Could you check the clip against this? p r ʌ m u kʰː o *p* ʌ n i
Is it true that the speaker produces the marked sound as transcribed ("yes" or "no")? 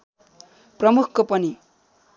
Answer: yes